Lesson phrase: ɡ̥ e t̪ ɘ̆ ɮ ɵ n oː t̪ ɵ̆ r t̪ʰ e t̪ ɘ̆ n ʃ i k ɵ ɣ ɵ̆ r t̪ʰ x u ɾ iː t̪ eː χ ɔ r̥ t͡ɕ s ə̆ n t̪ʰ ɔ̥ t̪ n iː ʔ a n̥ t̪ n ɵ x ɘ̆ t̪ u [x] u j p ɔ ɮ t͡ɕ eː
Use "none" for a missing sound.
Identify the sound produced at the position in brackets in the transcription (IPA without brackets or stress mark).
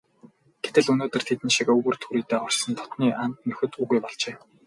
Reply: ɣ